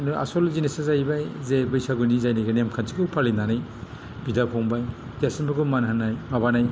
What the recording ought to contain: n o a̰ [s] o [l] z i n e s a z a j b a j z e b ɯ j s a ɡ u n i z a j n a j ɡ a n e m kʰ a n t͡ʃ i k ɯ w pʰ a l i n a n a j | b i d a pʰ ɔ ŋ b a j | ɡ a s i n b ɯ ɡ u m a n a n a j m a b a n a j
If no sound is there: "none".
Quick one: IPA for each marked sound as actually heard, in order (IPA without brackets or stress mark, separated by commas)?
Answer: s, l